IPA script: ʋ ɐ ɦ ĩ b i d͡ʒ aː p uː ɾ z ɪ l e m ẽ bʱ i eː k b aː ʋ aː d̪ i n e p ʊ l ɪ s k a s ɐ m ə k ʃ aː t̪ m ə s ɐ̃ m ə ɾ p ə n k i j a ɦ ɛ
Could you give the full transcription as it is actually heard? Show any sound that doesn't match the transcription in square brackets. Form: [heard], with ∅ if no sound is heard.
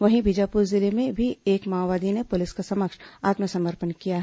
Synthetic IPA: ʋ ɐ ɦ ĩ b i d͡ʒ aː p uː ɾ z ɪ l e m ẽ bʱ i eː k [m] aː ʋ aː d̪ i n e p ʊ l ɪ s k a s ɐ m ə k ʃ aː t̪ m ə s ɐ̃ m ə ɾ p ə n k i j a ɦ ɛ